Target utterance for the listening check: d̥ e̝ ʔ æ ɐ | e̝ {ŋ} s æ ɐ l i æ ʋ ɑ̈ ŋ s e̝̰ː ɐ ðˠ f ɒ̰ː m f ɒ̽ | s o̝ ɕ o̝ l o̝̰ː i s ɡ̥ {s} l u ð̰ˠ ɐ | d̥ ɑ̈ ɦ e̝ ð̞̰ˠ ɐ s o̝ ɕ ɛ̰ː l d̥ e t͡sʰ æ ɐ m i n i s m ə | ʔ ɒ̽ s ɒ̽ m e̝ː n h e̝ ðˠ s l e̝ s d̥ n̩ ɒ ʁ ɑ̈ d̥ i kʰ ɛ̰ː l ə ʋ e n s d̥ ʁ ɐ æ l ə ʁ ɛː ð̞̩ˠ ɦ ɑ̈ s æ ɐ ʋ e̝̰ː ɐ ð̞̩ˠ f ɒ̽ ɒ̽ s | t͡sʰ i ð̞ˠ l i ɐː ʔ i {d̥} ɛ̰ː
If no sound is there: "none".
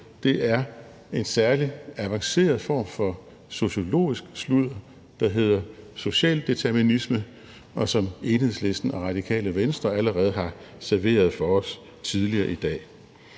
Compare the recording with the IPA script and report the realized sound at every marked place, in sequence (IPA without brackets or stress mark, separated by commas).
n, s, d̥